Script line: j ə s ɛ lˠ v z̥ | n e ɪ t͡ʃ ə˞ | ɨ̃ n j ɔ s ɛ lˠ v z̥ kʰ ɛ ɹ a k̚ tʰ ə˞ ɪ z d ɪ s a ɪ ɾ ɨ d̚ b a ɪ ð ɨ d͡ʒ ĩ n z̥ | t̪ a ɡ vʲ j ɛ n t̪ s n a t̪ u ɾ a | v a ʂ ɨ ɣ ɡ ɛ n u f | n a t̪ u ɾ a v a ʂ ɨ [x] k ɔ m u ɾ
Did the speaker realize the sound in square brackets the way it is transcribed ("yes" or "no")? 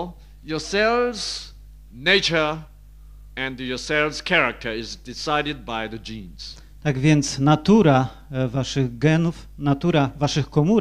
yes